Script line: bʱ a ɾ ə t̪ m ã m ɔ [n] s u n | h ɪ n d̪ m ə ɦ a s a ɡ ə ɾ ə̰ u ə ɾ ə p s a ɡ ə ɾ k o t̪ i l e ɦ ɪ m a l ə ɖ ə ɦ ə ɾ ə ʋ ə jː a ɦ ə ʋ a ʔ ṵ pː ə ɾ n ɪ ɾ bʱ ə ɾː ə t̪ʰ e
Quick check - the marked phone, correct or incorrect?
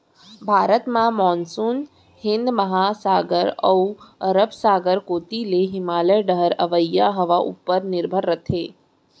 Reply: correct